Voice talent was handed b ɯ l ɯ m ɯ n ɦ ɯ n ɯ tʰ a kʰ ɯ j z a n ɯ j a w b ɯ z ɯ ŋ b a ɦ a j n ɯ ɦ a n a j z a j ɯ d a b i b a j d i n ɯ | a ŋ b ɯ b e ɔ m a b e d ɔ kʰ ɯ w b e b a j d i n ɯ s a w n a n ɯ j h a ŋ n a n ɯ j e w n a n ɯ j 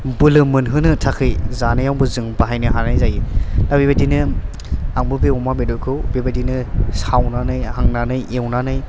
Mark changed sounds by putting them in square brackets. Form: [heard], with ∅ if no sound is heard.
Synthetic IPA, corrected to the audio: b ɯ l ɯ m ɯ n ɦ ɯ n ɯ tʰ a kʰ ɯ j z a n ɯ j a w b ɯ z ɯ ŋ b a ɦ a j n ɯ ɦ a n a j z a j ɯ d a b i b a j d i n ɯ | a ŋ b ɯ b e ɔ m a b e d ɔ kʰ ɯ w b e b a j d i n ɯ s a w n a n ɯ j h a ŋ n a n ɯ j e w n a n ɯ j